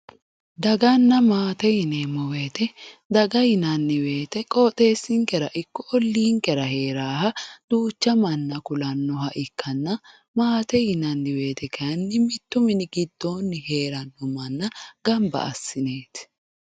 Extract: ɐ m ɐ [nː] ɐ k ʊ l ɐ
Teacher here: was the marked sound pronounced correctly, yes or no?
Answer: yes